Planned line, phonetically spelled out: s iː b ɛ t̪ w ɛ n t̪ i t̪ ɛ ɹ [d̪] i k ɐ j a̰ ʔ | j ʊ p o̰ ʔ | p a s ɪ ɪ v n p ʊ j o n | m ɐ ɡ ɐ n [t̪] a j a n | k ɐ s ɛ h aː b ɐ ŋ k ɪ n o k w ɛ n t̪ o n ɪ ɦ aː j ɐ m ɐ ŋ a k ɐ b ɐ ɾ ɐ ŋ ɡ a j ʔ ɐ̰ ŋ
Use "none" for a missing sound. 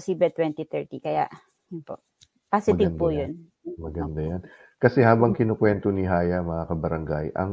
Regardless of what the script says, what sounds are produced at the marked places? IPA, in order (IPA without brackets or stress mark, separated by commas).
t̪, d̪